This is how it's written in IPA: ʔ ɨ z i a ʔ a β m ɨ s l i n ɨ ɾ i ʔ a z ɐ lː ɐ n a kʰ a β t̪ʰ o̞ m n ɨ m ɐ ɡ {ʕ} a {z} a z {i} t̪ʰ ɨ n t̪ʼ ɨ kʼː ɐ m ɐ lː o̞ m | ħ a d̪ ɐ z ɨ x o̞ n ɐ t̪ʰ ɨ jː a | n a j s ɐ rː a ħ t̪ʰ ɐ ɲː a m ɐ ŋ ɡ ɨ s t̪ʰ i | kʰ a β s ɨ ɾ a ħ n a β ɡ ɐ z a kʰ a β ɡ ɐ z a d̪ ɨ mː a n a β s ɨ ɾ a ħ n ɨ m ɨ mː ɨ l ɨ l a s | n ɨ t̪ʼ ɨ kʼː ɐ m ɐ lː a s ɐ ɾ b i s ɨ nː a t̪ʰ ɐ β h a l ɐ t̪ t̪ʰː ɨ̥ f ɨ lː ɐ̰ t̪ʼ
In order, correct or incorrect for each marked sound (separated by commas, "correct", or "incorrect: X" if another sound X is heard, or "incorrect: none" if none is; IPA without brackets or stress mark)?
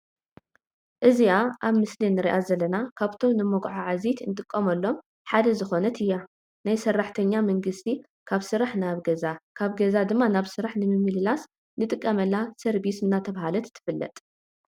correct, incorrect: ʕ, correct